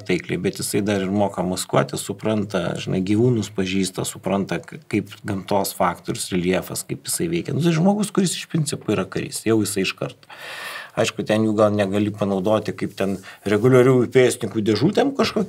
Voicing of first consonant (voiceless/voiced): voiceless